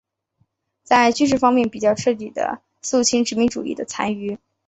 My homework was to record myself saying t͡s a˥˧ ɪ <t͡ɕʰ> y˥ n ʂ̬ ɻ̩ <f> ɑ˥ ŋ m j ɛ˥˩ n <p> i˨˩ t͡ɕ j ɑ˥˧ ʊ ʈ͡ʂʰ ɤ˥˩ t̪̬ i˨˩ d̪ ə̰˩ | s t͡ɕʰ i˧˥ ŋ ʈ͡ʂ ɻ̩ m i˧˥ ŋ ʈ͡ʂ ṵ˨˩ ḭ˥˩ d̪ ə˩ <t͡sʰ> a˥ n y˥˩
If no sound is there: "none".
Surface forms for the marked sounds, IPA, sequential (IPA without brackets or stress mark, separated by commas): t͡ɕ, f, p, t͡sʰ